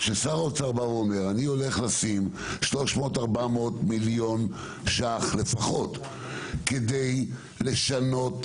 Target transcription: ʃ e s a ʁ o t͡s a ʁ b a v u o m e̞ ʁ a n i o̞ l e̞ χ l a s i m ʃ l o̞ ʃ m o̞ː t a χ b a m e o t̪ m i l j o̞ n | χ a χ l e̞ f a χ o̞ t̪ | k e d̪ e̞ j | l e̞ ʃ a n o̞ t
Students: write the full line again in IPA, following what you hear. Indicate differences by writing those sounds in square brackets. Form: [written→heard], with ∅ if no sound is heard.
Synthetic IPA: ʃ e s a ʁ o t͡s a ʁ b a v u o m e̞ ʁ a n i o̞ l e̞ χ l a s i m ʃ l o̞ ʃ m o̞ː t a [χ→ʁ] b a m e o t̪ m i l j o̞ n | [χ→ʃ] a χ l e̞ f a χ o̞ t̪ | k e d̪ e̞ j | l e̞ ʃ a n o̞ t